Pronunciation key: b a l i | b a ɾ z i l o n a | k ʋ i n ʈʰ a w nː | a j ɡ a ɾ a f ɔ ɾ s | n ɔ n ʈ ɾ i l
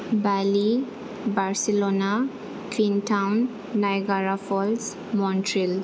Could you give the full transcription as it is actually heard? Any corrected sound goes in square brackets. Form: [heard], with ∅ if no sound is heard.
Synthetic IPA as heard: b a l i | b a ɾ [s] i l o n a | k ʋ i n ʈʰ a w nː | a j ɡ a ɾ a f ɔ [l] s | [m] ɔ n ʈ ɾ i l